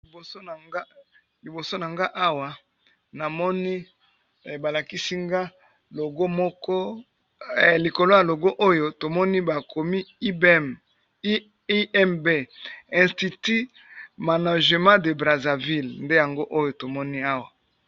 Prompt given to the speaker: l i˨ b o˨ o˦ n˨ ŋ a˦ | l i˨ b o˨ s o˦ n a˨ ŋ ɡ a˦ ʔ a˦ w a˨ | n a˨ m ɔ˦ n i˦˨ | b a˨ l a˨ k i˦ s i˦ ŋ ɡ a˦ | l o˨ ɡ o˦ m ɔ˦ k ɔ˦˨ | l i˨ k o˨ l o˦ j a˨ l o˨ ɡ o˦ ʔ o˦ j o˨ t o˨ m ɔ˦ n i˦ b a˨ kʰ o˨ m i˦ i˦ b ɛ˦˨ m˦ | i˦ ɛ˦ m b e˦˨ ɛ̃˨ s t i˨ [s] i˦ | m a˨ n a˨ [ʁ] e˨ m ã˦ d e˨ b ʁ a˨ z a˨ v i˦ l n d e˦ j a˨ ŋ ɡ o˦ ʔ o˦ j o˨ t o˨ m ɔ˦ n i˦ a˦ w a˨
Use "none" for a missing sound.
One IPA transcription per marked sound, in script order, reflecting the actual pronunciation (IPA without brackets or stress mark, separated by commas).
t, ʒ